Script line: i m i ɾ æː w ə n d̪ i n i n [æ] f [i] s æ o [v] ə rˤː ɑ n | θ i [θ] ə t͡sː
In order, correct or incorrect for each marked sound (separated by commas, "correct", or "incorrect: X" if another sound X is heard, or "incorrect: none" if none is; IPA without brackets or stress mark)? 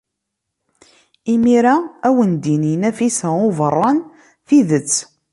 correct, correct, correct, incorrect: ð